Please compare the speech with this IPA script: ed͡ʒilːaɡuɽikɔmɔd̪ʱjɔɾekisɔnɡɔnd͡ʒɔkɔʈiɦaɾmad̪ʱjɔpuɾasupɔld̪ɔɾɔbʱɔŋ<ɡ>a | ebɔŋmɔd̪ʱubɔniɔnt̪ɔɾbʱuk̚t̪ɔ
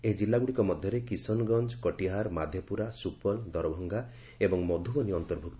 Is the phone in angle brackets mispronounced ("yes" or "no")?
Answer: no